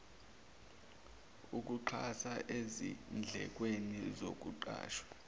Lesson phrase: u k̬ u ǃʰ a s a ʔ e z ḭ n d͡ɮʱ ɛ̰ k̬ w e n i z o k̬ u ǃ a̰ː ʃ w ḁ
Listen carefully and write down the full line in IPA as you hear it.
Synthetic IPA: u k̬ u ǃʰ a s a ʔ e z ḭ n d͡ɮʱ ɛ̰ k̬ w e n i z o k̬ u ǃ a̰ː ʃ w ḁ